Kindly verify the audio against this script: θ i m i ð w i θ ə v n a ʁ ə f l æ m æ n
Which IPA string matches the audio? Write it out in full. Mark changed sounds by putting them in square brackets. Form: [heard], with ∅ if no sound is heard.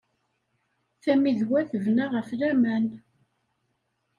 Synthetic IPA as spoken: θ [æ] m i ð w [æ] θ ə v n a ʁ ə f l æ m æ n